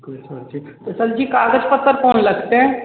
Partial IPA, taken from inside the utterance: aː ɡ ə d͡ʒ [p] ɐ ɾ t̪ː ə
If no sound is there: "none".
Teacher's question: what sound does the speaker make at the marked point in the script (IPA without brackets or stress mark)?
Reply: p